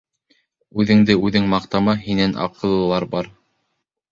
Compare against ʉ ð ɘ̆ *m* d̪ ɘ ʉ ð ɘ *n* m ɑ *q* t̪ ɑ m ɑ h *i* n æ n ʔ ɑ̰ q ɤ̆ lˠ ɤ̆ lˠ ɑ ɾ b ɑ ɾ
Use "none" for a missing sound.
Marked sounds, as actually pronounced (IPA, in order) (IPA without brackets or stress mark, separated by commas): ŋ, ŋ, q, i